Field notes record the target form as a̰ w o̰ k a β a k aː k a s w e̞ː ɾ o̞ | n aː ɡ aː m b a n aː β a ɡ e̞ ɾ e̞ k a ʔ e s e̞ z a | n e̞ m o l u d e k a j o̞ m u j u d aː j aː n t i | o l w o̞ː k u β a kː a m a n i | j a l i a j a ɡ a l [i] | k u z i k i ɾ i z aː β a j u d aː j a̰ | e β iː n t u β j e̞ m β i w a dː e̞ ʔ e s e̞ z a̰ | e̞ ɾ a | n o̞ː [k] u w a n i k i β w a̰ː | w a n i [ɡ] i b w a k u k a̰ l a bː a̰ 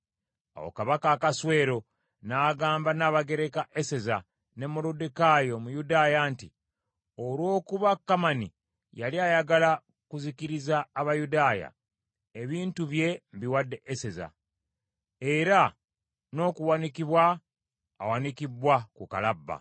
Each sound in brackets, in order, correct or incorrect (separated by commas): incorrect, correct, incorrect